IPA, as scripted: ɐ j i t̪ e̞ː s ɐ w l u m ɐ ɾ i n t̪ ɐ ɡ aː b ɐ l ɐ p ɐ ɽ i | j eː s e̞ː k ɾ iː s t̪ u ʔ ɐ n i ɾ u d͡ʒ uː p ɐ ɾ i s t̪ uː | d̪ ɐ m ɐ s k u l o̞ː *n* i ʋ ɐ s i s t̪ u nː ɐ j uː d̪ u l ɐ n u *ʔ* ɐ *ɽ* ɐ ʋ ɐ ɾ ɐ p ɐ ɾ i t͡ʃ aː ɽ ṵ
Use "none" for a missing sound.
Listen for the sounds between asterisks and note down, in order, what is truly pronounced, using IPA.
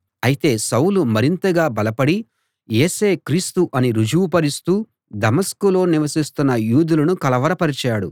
n, k, l

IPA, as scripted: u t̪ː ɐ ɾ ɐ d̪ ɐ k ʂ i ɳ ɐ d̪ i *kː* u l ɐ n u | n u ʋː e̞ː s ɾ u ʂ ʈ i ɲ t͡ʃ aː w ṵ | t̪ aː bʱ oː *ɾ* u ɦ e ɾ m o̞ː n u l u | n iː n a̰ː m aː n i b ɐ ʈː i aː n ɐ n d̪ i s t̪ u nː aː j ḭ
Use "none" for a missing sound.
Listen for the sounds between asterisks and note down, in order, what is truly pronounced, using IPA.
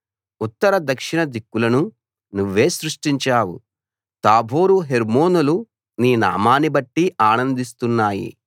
kː, ɾ

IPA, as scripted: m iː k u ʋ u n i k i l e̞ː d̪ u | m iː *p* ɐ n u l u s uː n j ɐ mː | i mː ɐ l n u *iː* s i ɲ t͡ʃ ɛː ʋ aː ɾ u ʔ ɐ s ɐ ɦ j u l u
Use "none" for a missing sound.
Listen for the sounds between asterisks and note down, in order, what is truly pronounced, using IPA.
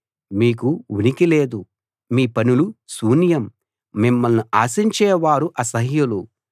p, aː

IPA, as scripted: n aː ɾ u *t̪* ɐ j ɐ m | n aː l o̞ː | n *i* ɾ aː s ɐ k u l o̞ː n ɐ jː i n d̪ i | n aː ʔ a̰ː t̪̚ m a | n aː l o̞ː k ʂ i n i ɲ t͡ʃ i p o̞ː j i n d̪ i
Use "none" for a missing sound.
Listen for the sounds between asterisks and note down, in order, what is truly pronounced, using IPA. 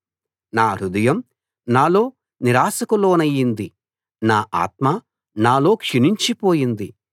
d̪, i

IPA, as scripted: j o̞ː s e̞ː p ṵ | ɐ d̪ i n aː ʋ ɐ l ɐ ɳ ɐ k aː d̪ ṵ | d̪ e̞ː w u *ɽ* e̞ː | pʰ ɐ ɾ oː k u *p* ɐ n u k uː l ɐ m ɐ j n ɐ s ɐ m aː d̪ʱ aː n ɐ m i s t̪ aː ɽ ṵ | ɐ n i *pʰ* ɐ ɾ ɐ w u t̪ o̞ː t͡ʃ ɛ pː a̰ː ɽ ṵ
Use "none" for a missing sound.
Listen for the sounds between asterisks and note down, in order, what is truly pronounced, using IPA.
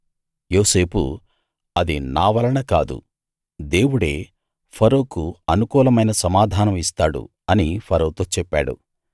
ɽ, none, pʰ

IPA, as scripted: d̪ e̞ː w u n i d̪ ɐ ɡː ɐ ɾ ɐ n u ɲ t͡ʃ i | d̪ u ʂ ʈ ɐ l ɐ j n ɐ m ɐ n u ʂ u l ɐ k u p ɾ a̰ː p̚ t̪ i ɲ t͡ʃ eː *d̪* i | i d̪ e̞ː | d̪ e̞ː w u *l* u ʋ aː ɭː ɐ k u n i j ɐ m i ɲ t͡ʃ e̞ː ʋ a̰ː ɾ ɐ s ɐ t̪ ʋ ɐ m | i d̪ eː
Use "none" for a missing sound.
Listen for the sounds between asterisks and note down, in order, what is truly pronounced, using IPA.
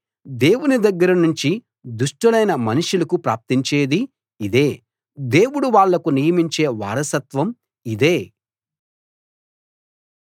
d̪, ɽ

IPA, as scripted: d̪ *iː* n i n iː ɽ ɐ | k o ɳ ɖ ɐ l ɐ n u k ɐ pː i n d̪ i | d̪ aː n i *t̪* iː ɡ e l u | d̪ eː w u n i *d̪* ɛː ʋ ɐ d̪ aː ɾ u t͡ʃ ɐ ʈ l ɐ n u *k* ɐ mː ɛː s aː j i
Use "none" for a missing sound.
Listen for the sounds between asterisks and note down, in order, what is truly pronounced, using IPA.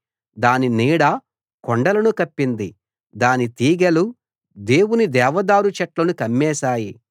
aː, t̪, d̪, k

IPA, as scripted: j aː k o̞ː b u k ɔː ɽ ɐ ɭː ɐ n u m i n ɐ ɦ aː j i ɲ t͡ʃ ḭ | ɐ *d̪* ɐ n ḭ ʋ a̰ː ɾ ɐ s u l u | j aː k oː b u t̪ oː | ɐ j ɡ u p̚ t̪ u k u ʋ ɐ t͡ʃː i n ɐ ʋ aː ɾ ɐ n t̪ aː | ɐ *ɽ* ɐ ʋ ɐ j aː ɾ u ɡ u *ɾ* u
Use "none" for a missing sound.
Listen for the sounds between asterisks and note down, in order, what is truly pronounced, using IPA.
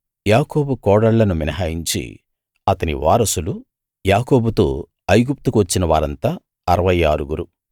t̪, ɾ, ɾ

